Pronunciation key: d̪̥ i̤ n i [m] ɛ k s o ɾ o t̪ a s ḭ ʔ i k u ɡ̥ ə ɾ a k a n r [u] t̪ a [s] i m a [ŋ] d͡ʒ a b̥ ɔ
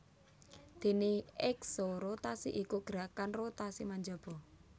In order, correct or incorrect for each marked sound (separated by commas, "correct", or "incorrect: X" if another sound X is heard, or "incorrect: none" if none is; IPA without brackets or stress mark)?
incorrect: none, incorrect: o, correct, incorrect: ɲ